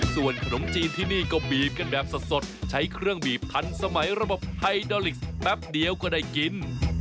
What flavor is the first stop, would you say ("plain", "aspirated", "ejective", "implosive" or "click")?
aspirated